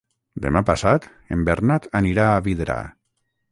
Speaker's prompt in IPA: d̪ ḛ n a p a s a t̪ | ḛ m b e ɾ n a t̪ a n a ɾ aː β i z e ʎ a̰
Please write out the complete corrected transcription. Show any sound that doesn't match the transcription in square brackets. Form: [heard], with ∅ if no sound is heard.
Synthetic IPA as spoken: d̪ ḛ [m] a p a s a t̪ | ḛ m b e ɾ n a t̪ a n [i] ɾ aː β i [ð] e [ɾ] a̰